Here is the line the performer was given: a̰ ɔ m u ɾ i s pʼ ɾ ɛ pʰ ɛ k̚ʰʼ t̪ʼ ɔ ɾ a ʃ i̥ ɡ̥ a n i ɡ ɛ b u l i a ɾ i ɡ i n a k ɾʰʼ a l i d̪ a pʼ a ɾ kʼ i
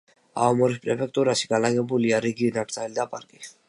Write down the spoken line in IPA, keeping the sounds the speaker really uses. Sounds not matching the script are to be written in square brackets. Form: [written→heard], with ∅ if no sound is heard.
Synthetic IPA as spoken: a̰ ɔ m [u→ɔ] ɾ i s pʼ ɾ ɛ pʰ ɛ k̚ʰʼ t̪ʼ [ɔ→u] ɾ a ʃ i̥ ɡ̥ a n [i→a] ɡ ɛ b u l i a ɾ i ɡ i n a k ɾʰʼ a l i d̪ a pʼ a ɾ kʼ i